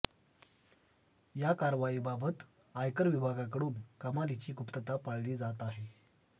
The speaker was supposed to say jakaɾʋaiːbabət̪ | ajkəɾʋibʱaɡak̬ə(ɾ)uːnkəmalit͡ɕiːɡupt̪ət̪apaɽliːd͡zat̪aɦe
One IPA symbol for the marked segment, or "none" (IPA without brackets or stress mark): ɽ